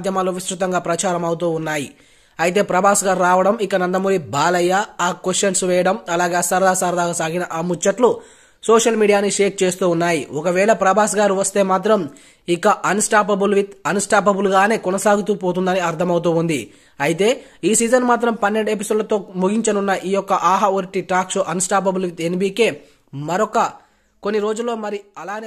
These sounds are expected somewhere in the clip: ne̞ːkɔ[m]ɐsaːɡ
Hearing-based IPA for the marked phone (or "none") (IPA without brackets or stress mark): n